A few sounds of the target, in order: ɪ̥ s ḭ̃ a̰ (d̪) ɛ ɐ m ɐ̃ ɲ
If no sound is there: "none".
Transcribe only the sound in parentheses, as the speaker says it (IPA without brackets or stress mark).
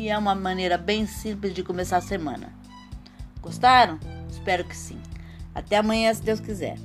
t̪